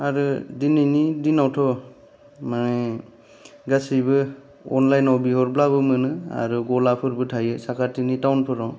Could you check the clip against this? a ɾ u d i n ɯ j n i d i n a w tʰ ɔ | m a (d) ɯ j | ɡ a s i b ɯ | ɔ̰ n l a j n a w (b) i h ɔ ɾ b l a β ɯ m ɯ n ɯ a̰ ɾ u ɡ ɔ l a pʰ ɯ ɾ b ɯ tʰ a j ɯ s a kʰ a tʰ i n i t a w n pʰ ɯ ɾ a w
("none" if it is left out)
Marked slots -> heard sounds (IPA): n, b

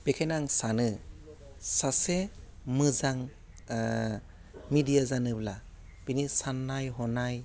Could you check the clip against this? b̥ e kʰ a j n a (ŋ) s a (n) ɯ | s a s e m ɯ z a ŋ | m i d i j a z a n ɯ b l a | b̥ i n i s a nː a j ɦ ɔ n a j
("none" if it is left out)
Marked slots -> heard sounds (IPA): ŋ, n

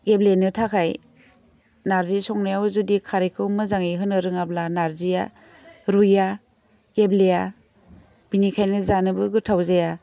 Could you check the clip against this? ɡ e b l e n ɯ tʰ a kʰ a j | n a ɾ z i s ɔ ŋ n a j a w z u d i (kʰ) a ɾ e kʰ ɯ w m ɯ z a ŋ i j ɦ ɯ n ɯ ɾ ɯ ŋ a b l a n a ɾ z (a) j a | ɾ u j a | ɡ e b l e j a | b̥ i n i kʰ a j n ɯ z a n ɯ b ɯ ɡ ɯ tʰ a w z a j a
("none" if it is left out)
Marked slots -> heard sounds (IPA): kʰ, i

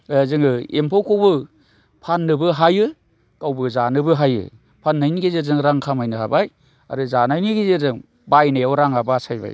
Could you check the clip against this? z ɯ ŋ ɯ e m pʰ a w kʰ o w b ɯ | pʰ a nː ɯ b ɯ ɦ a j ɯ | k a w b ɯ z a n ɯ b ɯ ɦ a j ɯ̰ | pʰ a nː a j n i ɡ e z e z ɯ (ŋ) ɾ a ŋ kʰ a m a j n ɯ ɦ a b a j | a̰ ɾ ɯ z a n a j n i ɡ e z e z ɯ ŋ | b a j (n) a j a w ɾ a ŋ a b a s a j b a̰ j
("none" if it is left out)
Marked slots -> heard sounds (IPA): ŋ, n

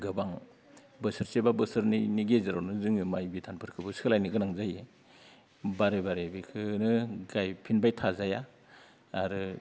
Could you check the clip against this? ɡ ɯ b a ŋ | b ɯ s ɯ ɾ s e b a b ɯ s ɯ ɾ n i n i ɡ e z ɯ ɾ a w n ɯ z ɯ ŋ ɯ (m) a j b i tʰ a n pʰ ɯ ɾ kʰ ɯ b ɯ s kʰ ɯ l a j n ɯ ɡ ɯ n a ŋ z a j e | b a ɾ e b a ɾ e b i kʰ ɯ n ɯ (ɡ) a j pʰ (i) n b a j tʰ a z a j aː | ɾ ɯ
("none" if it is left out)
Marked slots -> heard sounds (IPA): m, ɡ, i

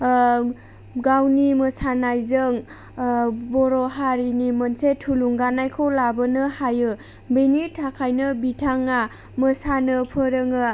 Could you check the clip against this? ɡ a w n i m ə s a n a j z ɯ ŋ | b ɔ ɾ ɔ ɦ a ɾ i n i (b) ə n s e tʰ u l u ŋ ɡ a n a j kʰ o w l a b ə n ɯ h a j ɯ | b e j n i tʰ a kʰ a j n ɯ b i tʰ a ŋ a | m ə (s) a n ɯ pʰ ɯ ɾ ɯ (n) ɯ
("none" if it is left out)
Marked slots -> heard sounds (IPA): m, s, ŋ

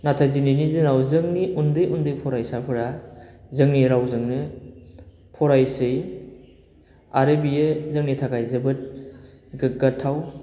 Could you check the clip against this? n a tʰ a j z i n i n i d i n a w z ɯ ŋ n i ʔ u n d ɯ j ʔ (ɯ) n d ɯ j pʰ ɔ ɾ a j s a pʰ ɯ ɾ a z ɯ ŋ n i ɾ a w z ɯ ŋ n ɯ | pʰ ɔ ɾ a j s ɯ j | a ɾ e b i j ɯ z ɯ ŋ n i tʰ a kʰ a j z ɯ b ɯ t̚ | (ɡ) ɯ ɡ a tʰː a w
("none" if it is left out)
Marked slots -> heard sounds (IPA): u, ɡ

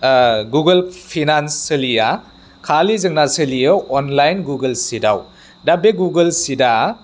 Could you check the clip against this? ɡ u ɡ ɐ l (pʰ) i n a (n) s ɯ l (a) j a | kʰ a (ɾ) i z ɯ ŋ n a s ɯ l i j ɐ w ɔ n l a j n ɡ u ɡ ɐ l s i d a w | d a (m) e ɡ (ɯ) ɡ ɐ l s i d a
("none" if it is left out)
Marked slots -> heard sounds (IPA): pʰ, n, i, l, b, u

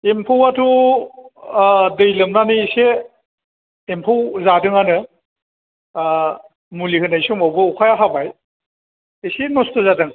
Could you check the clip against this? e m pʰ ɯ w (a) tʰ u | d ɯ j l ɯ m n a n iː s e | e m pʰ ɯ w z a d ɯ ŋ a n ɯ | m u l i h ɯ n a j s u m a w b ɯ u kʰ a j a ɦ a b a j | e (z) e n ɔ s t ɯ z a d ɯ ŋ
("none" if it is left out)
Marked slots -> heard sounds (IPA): a, s

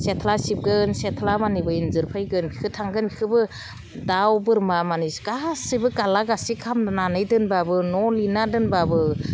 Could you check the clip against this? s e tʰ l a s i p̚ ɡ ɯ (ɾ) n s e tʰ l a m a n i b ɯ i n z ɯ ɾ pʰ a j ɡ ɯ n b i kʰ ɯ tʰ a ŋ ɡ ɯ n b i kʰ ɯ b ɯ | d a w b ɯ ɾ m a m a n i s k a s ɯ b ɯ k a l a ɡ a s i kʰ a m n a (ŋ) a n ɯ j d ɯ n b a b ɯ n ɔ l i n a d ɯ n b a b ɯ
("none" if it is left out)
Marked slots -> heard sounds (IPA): none, n

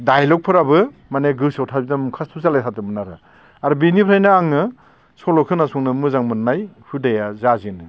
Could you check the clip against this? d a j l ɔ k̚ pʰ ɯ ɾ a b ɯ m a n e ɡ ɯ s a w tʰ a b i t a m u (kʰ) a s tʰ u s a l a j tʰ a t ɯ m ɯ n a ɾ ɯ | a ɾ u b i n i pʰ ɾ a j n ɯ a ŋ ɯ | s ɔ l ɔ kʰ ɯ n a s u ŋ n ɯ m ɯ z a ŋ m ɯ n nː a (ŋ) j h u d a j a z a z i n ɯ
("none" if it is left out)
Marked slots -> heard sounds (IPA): kʰ, none

